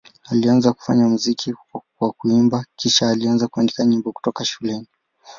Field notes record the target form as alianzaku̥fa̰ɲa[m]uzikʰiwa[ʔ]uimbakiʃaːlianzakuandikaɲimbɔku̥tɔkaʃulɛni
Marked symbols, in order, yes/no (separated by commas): yes, no